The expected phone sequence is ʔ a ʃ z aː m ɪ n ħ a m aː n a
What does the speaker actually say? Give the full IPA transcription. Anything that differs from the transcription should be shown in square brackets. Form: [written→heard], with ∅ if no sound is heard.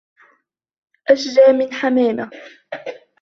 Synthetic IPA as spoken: ʔ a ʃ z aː m ɪ n ħ a m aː [n→m] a